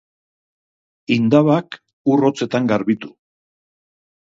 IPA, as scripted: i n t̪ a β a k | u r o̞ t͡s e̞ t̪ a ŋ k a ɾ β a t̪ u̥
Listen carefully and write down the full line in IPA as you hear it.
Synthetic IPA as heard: i n d̪ a β a k | u r o̞ t͡s e̞ t̪ a ŋ ɡ a ɾ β i t̪ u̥

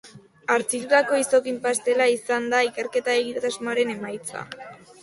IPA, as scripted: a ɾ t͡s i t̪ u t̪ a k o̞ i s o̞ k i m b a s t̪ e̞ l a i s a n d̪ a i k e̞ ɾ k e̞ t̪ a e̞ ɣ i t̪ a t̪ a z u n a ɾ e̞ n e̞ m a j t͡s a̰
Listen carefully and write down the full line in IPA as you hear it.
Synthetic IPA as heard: a ɾ t͡s i t̪ u t̪ a k o̞ i s o̞ k i m p a s t̪ e̞ l a i s a n d̪ a i k e̞ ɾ k e̞ t̪ a e̞ ɣ i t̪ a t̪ a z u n a ɾ e̞ n e̞ m a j t͡s a̰

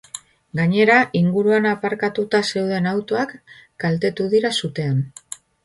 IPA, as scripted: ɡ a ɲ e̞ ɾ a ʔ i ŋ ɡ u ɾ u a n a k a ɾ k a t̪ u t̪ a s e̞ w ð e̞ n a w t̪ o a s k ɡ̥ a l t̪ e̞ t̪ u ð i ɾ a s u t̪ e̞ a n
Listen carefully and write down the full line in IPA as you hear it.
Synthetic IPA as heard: ɡ a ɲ e̞ ɾ a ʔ i ŋ ɡ u ɾ u a n a p a ɾ k a t̪ u t̪ a s e̞ w ð e̞ n a w t̪ o a k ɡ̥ a l t̪ e̞ t̪ u ð i ɾ a s u t̪ e̞ a n

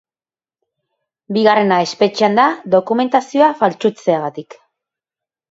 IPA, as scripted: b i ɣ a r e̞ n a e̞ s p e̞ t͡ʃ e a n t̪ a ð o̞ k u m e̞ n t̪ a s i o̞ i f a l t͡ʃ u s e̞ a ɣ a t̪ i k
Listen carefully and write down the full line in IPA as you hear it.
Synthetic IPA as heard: b i ɣ a r e̞ n a e̞ s p e̞ t͡ʃ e a n d̪ a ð o̞ k u m e̞ n t̪ a s i o̞ a f a l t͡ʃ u t͡s e̞ a ɣ a t̪ i k

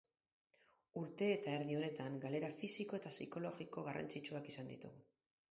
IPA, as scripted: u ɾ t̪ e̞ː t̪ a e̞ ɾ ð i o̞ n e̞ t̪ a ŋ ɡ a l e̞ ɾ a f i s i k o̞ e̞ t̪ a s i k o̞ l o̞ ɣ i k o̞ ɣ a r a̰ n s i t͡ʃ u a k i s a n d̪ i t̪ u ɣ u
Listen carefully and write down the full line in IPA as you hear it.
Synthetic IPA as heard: u ɾ t̪ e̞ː t̪ a e̞ ɾ ð i o̞ n e̞ t̪ a ŋ ɡ a l e̞ ɾ a f i s i k o̞ e̞ t̪ a s i k o̞ l o̞ ɣ i k o̞ ɣ a r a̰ n t͡s i t͡ʃ u a k i s a n d̪ i t̪ u ɣ u

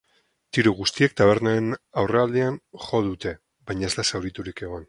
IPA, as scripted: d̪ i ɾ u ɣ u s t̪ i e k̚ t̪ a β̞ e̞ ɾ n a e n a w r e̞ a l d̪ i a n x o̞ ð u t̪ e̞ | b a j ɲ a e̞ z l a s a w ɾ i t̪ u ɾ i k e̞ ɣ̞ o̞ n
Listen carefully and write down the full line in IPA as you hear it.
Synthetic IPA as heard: t̪ i ɾ u ɣ u s t̪ i e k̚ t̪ a β̞ e̞ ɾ n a e n a w r e̞ a l d̪ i a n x o̞ ð u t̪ e̞ | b a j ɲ a e̞ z l a s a w ɾ i t̪ u ɾ i k e̞ ɣ̞ o̞ n

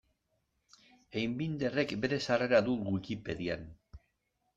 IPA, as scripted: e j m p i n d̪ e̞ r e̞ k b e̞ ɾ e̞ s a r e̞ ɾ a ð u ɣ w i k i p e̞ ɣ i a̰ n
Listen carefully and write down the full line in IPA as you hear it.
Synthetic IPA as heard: e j m b i n d̪ e̞ r e̞ k b e̞ ɾ e̞ s a r e̞ ɾ a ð u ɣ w i k i p e̞ ð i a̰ n

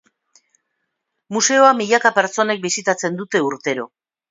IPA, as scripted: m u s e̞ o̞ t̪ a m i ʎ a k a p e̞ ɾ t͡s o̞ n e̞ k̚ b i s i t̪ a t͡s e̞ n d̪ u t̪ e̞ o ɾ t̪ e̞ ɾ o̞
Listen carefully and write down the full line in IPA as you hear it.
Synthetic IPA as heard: m u s e̞ o̞ a m i ʎ a k a p e̞ ɾ t͡s o̞ n e̞ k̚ b i s i t̪ a t͡s e̞ n d̪ u t̪ e̞ u ɾ t̪ e̞ ɾ o̞

